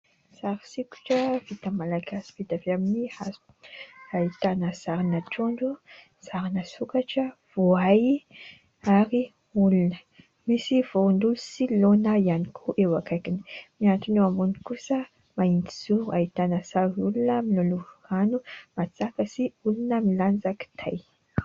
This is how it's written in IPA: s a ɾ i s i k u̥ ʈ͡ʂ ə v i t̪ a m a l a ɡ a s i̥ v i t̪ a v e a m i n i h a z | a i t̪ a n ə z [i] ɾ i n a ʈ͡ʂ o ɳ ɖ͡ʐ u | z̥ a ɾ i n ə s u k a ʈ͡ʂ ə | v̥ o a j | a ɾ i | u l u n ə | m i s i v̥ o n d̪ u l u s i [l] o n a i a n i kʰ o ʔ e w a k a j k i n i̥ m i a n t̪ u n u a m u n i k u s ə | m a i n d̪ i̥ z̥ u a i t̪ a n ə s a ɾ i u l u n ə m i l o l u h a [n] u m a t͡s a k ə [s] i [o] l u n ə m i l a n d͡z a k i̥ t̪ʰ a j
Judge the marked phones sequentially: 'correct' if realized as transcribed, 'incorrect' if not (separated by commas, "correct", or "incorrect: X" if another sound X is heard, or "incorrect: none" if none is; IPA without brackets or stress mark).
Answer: incorrect: a, correct, correct, correct, incorrect: u